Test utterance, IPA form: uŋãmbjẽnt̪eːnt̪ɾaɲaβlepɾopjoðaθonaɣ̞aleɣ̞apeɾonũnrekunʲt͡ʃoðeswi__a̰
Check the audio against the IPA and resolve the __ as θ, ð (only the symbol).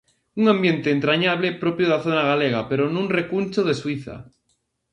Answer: θ